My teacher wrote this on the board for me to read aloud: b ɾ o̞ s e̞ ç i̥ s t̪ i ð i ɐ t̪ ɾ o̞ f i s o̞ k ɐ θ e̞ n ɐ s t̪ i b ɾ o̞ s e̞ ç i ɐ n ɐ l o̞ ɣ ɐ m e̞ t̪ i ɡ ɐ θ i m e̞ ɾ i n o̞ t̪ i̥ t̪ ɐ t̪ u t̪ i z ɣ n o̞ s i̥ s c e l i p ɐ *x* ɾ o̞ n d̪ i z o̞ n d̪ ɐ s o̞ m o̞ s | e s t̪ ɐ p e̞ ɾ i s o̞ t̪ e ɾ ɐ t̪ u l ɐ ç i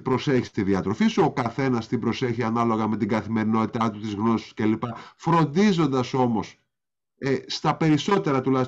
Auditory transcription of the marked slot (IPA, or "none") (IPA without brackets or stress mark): f